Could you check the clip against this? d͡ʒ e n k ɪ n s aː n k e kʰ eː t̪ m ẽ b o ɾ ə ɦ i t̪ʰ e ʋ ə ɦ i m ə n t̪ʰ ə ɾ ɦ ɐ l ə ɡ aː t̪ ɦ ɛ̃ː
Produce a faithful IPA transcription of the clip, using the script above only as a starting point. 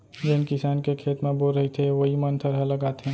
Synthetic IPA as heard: d͡ʒ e n k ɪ s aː n k e kʰ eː t̪ m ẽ b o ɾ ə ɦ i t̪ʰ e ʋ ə ɦ i m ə n t̪ʰ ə ɾ ɦ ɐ l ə ɡ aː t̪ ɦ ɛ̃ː